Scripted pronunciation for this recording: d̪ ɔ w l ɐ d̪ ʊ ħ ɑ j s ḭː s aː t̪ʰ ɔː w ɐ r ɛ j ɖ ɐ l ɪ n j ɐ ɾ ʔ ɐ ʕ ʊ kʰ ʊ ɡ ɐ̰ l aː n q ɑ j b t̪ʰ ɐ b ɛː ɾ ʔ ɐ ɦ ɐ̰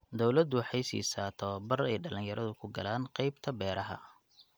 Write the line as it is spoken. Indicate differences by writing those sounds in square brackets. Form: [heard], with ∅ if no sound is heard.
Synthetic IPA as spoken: d̪ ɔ w l ɐ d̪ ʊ ħ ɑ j s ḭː s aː t̪ʰ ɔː [b] ɐ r ɛ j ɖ ɐ l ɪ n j ɐ ɾ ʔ ɐ [ð] ʊ kʰ ʊ ɡ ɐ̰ l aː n q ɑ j b t̪ʰ ɐ b ɛː ɾ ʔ ɐ ɦ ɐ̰